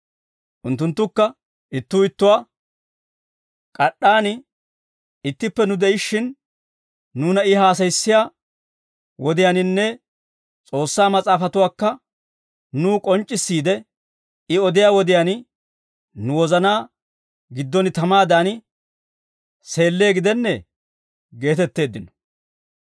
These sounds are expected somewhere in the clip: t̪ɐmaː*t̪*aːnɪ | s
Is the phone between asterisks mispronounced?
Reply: yes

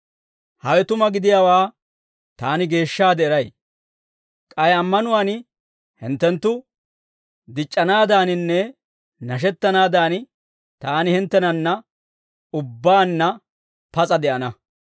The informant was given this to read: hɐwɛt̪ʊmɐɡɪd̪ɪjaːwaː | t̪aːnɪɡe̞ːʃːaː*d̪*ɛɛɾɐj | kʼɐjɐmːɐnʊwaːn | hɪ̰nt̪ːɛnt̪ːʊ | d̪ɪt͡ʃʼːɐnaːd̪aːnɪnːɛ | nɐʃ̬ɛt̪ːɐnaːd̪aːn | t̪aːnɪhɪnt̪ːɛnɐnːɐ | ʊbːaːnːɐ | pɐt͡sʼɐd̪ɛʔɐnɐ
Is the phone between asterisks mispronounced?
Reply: no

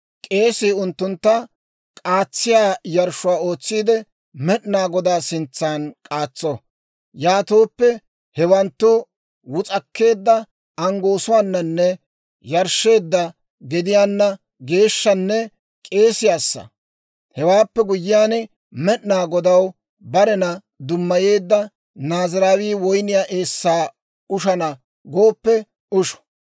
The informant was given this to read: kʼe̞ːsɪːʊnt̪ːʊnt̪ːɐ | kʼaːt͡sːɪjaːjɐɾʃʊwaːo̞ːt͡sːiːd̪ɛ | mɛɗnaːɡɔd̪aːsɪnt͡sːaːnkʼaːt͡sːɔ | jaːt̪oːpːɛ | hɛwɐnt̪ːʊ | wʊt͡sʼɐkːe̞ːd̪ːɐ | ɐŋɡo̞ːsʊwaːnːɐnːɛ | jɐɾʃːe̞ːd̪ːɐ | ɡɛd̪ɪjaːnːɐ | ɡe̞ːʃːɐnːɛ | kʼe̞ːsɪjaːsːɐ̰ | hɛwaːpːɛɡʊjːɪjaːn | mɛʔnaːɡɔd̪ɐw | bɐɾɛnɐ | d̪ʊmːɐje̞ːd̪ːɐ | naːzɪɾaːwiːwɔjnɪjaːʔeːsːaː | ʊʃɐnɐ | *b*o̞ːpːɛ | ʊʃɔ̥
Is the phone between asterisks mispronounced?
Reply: yes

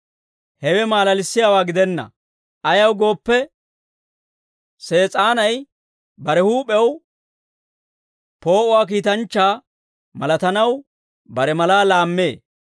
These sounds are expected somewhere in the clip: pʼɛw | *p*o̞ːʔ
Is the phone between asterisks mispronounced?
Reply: no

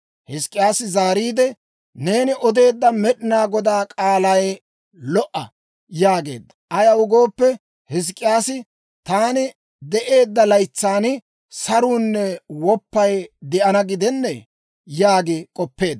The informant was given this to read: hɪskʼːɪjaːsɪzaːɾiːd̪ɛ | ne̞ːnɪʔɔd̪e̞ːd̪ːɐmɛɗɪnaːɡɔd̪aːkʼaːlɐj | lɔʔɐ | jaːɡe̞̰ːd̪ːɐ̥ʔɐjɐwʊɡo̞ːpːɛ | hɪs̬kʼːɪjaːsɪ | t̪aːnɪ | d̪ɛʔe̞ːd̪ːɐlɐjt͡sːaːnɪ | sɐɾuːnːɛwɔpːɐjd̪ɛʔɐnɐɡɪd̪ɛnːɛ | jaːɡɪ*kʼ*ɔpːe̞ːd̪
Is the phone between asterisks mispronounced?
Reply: no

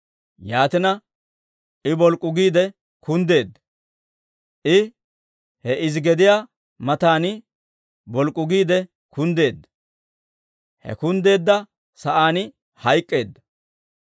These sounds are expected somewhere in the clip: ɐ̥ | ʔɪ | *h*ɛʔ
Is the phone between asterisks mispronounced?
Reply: no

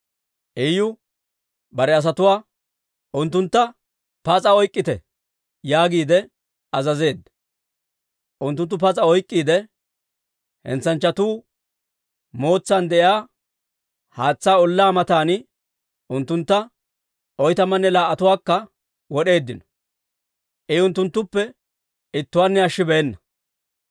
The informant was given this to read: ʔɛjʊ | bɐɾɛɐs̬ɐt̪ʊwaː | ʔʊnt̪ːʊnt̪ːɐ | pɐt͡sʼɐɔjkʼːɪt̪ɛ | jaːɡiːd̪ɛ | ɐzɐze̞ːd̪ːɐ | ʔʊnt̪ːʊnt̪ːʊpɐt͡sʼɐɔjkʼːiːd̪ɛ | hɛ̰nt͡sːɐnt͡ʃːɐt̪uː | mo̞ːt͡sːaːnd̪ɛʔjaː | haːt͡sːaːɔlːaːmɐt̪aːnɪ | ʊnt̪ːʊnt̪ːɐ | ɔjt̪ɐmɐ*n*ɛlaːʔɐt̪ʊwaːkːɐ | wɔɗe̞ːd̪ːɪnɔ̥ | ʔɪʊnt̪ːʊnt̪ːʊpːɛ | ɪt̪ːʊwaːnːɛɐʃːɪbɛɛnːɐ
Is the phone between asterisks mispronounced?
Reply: yes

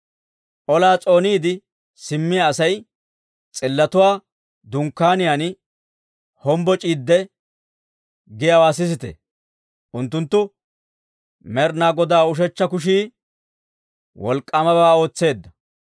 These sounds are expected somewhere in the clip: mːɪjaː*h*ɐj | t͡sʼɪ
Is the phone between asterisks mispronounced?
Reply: yes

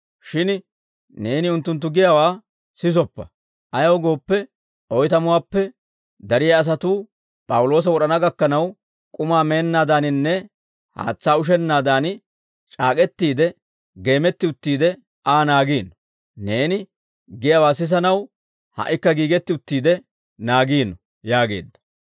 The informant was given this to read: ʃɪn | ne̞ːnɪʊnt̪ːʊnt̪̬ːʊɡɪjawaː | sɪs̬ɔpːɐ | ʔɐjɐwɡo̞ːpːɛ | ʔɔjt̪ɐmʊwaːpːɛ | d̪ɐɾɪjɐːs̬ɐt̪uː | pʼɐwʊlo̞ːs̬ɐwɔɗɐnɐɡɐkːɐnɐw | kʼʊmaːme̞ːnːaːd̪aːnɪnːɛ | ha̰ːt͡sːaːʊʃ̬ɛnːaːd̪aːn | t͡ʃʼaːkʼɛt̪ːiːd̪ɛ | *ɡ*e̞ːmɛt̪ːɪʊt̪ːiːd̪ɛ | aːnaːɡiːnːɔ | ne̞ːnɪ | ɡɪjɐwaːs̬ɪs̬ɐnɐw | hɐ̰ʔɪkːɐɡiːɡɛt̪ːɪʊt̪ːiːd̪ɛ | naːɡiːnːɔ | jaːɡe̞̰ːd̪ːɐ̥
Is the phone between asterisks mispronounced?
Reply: no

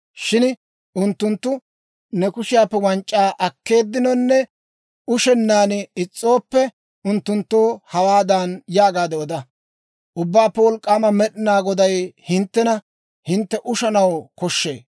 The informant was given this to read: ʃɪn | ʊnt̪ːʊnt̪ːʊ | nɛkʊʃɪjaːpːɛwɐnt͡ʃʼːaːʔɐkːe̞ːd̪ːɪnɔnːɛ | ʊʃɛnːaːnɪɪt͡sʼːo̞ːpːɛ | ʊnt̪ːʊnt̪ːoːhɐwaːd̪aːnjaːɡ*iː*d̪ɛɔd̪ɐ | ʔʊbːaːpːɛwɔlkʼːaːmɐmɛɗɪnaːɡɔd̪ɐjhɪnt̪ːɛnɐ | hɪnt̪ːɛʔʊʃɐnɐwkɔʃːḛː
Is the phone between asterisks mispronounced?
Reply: yes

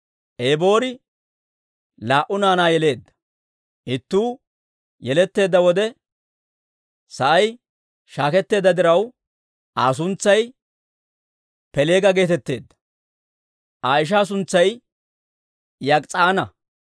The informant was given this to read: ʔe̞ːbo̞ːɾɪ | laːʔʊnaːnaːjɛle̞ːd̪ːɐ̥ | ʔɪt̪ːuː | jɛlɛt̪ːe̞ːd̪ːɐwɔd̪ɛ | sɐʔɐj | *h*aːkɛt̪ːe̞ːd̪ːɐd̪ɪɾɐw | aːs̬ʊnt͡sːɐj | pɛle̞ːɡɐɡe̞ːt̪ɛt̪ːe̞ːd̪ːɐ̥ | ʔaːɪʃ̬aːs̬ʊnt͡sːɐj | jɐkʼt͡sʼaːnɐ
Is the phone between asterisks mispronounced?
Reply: yes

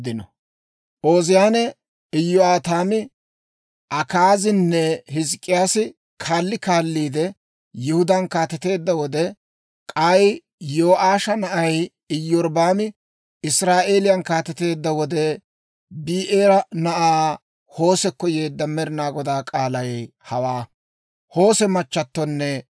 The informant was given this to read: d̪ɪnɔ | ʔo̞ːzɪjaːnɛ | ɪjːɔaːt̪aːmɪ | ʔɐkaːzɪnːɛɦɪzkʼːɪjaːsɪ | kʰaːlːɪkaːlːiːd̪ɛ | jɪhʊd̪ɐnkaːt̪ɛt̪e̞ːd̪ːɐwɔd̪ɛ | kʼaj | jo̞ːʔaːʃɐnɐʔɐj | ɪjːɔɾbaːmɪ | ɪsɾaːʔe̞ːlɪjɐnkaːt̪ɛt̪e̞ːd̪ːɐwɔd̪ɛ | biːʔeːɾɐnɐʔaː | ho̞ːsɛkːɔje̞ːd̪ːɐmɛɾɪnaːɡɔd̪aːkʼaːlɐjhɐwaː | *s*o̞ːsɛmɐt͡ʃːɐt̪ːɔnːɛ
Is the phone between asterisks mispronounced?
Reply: yes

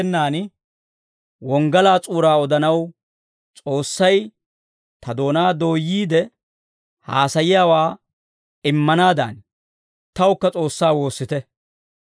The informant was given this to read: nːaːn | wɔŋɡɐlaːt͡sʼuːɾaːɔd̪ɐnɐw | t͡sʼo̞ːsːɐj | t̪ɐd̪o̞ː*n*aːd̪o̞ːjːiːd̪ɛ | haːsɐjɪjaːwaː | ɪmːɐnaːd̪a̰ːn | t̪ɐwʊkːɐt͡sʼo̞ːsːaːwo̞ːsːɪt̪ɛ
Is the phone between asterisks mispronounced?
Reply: no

